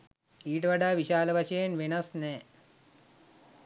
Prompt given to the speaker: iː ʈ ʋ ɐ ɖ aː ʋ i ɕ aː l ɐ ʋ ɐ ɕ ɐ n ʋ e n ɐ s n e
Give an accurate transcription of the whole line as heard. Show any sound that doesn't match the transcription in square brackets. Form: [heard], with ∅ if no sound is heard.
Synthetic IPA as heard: iː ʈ ʋ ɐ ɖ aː ʋ i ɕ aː l ɐ ʋ ɐ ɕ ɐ n ʋ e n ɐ s n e